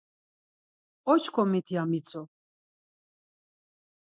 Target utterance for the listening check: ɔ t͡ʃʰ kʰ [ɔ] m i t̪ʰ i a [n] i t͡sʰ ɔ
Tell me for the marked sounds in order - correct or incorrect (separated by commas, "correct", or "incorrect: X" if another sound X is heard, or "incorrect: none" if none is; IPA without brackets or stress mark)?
correct, incorrect: m